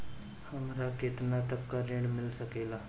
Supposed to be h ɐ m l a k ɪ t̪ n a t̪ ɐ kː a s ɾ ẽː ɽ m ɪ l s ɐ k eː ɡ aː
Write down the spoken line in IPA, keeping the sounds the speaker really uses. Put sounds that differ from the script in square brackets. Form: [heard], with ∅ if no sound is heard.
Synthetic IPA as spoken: h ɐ m [ɾ] a k ɪ t̪ n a t̪ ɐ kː a [∅] ɾ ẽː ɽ m ɪ l s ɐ k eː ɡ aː